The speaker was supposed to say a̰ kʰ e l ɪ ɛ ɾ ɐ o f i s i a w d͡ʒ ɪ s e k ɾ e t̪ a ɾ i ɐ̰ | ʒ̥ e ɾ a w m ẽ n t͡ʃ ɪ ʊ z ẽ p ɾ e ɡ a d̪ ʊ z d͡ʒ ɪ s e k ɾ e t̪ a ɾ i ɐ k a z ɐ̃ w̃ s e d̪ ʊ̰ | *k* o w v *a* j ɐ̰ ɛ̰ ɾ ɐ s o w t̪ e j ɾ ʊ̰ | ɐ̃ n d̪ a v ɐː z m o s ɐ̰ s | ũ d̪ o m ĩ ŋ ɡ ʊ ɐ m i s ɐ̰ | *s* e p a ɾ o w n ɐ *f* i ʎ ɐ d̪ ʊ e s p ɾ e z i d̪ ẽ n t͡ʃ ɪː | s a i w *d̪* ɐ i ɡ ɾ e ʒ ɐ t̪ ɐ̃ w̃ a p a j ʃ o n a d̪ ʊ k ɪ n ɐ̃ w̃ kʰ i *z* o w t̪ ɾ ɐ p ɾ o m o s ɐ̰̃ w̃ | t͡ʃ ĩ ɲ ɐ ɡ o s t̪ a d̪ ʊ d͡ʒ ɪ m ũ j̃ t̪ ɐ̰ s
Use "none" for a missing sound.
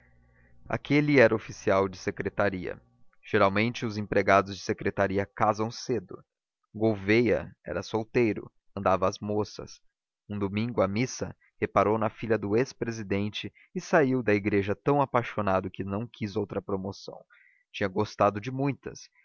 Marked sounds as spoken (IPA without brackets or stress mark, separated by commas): ɡ, e, h, f, d̪, z